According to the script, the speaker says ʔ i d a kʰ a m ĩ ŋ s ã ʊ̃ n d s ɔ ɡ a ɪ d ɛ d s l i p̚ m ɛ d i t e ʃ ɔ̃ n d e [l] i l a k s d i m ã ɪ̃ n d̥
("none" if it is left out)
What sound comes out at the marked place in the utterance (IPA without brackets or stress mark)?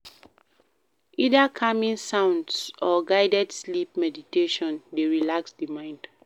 ɹ